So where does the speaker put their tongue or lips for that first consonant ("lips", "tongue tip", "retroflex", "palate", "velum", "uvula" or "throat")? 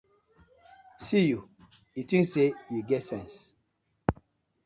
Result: tongue tip